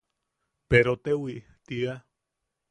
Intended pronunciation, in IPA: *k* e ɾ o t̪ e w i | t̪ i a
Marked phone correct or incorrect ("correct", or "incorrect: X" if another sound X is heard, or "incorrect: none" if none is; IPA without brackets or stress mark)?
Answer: incorrect: p